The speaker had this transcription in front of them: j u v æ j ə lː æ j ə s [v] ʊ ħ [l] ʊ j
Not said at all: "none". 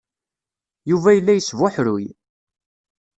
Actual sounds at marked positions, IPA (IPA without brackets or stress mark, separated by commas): v, ɾ